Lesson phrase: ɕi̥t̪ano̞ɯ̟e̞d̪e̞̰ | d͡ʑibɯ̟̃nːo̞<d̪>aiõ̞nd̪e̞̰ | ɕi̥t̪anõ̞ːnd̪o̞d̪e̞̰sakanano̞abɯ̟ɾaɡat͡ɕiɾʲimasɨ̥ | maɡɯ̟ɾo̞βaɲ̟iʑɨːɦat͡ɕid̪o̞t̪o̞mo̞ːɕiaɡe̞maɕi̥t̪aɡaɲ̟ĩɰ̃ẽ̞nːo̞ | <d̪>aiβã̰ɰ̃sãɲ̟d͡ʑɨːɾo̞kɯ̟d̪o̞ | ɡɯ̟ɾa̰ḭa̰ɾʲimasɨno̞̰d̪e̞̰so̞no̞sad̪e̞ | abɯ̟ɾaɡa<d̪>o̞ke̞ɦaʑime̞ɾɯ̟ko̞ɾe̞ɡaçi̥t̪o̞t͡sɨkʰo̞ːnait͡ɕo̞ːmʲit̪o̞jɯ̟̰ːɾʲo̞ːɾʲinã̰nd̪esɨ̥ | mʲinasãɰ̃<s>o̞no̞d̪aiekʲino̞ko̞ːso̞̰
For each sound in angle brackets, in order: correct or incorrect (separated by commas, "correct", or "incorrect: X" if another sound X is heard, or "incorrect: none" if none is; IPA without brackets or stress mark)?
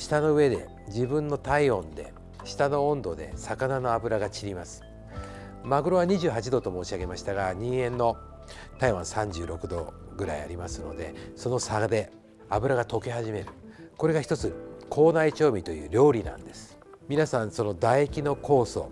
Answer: incorrect: t̪, incorrect: t̪, incorrect: t̪, correct